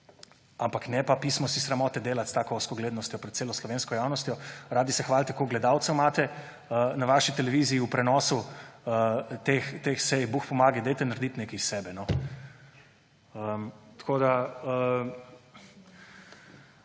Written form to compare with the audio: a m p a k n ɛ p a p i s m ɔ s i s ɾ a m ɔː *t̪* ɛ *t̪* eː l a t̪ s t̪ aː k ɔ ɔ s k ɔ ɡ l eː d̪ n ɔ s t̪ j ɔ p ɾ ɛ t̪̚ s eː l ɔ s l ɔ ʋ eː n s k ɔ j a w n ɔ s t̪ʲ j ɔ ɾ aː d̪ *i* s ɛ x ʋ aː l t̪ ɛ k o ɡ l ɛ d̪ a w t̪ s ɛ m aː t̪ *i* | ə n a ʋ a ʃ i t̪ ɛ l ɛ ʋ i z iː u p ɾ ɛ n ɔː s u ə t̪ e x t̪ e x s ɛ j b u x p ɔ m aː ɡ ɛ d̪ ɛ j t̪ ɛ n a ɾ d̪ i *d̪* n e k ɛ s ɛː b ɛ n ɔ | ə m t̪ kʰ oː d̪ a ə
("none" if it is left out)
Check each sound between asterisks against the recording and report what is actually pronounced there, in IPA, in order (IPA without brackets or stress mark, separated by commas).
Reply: t̪, d̪, i, ɛ, t̪